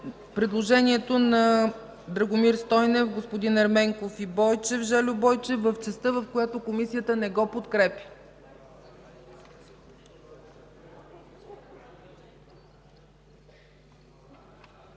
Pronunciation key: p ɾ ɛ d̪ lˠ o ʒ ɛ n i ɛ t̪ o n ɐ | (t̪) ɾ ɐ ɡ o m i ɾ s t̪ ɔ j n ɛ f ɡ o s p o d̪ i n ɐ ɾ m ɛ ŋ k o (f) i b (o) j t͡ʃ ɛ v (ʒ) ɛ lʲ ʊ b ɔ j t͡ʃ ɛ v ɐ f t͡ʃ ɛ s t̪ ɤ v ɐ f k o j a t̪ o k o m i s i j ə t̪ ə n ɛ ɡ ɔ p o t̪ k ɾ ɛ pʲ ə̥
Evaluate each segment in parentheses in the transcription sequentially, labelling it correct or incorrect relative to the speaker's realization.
incorrect: d̪, correct, incorrect: ɔ, correct

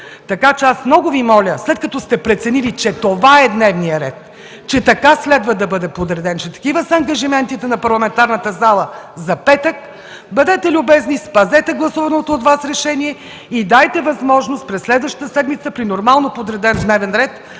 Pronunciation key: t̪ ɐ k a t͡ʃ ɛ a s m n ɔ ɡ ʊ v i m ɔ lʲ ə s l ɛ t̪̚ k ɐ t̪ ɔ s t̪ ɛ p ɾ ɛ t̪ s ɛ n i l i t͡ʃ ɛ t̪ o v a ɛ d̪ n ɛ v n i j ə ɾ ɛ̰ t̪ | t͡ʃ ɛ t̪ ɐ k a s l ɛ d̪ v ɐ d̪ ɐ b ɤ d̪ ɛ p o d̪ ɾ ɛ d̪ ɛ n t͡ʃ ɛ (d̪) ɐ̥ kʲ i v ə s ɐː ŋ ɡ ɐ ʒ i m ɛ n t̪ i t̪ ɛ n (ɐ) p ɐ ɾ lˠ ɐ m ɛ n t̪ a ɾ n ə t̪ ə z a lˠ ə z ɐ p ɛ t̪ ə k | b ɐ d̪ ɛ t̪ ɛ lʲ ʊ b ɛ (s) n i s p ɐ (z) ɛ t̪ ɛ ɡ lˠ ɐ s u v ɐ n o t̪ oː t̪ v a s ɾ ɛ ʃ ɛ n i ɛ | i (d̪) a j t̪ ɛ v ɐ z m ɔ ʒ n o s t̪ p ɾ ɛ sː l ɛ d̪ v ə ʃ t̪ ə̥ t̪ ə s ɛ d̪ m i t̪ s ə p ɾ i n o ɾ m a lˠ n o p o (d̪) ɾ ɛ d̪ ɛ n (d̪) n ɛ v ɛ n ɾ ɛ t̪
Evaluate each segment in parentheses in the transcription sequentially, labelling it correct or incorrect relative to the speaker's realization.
incorrect: t̪, correct, incorrect: z, correct, correct, correct, correct

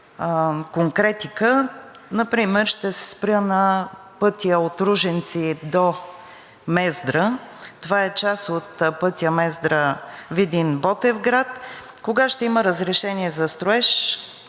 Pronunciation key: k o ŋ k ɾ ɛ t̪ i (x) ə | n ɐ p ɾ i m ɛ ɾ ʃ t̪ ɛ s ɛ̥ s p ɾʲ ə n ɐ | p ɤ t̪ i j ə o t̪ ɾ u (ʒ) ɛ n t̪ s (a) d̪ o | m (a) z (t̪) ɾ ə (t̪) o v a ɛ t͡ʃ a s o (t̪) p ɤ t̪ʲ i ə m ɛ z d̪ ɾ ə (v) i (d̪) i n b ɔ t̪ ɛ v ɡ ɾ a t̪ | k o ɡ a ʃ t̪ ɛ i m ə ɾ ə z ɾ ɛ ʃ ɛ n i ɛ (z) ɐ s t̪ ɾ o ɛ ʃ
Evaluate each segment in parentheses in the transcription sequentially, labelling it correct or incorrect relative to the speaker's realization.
incorrect: k, correct, incorrect: i, incorrect: ɛ, incorrect: d̪, correct, correct, correct, correct, correct

